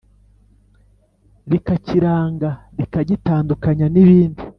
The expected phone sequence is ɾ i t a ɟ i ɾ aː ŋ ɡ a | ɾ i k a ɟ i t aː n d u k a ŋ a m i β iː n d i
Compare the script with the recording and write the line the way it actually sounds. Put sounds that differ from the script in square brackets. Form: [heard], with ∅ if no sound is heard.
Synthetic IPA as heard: ɾ i [k] a [c] i ɾ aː ŋ ɡ a | ɾ i k a ɟ i t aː n d u k a [ɲ] a [n] i β iː n d i